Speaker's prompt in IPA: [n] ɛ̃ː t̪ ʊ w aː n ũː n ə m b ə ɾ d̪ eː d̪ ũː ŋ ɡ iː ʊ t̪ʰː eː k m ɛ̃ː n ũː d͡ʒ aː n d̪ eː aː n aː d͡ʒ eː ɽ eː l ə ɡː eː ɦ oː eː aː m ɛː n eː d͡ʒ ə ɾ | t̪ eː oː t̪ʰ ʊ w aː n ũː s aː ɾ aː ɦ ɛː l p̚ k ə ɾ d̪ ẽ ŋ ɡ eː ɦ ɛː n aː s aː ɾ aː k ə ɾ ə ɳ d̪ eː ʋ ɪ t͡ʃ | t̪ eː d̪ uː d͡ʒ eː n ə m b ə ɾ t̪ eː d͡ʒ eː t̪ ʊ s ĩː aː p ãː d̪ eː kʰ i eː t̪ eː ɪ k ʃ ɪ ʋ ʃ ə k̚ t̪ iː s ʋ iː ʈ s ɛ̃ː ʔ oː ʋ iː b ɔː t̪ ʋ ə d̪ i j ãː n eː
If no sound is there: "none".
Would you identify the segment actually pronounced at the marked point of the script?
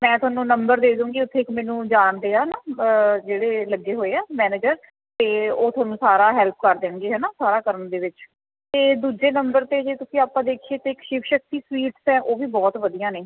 m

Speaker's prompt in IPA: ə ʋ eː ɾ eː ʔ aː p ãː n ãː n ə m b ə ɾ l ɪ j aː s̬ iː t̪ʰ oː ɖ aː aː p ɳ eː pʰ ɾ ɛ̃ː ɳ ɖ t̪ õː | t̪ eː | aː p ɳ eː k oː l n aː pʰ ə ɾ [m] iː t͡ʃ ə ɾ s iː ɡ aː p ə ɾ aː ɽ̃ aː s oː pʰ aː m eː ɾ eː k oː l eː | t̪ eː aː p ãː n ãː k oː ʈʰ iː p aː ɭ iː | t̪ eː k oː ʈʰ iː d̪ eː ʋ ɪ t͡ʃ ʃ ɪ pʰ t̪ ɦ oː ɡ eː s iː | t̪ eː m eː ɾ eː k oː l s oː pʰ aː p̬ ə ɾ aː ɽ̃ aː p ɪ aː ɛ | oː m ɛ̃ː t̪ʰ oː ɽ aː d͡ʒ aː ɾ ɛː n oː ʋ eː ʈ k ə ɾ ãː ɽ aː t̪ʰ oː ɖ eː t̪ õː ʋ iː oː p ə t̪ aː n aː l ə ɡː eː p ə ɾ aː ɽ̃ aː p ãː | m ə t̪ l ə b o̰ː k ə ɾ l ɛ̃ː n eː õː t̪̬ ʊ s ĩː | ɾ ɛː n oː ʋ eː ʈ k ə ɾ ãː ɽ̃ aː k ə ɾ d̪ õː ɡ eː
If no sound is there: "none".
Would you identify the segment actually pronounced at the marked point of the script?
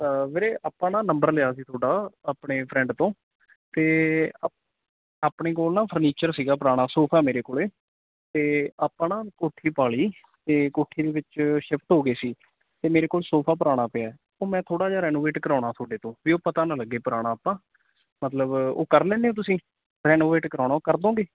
n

